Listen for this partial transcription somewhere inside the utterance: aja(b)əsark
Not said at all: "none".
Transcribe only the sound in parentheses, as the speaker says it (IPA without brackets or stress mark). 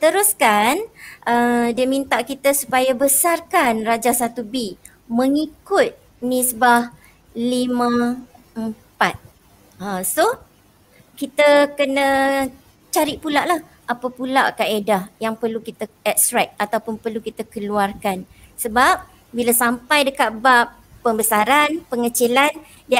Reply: b